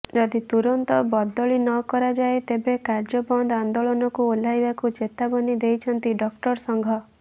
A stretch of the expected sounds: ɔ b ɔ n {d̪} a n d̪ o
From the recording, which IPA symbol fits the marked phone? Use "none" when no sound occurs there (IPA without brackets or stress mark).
d̪